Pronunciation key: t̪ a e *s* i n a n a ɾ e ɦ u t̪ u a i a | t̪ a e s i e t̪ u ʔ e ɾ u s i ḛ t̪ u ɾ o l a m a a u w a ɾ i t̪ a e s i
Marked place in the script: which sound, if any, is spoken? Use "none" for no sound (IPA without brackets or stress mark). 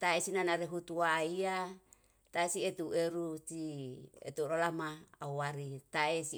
s